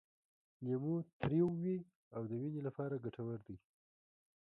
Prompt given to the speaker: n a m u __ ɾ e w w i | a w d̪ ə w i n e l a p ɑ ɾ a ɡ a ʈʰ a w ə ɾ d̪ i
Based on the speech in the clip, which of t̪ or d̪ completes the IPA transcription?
t̪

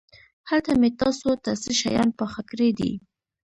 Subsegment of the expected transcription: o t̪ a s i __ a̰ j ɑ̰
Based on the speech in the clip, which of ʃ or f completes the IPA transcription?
ʃ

